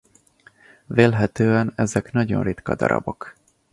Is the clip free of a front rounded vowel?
no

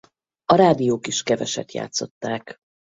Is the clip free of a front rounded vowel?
yes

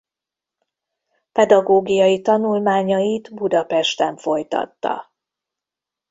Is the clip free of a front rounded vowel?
yes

